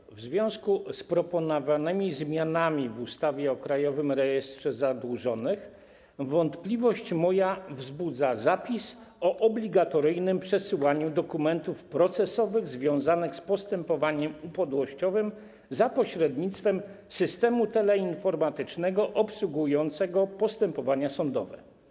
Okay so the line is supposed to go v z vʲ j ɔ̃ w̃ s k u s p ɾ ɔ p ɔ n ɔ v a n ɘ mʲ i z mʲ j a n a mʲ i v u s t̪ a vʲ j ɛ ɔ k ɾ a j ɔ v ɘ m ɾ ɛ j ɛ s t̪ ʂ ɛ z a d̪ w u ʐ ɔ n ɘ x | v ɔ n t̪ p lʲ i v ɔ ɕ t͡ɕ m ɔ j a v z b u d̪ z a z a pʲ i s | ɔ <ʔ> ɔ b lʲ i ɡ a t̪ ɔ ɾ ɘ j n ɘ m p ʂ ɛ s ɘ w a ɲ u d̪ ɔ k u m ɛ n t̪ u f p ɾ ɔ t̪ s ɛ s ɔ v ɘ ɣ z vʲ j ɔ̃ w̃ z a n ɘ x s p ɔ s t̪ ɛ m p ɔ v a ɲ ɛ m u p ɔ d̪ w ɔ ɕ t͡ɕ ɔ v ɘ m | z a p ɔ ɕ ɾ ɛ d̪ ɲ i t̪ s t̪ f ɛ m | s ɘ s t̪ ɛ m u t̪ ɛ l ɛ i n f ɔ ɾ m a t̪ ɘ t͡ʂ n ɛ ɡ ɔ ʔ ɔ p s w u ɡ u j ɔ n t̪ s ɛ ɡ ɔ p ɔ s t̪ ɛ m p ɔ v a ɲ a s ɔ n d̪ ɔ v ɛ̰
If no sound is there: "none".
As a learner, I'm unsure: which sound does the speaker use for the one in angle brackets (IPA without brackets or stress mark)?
ʔ